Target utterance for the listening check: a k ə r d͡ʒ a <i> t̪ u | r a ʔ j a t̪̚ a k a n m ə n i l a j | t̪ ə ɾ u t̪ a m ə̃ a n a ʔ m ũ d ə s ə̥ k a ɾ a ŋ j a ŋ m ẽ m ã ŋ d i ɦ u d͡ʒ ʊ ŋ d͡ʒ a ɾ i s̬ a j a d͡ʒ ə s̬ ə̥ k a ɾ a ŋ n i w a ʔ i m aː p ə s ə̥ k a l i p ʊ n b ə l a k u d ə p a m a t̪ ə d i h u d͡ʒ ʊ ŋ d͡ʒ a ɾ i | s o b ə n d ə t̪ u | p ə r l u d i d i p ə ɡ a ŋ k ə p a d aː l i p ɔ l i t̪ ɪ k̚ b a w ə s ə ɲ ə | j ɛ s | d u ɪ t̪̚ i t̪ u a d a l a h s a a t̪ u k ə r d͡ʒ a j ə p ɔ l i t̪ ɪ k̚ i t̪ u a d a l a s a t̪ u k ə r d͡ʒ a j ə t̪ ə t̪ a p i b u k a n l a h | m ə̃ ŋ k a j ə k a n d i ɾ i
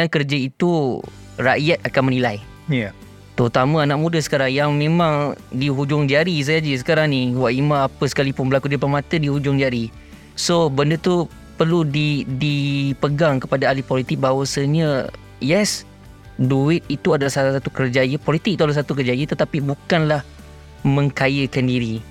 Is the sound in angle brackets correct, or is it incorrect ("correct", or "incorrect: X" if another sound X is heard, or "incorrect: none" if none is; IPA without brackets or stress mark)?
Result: correct